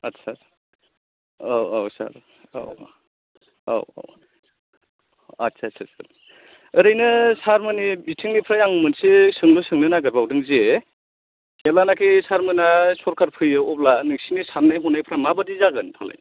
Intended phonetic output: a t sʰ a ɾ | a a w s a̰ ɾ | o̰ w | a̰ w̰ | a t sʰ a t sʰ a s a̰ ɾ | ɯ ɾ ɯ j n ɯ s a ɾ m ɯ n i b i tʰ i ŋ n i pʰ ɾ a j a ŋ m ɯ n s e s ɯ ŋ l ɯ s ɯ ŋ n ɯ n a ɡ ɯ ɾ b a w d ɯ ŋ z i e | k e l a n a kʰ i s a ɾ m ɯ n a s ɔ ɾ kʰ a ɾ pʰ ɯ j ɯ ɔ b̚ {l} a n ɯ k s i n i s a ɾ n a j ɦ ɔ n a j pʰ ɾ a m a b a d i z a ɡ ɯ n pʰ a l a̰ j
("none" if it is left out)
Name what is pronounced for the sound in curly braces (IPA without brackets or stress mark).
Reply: l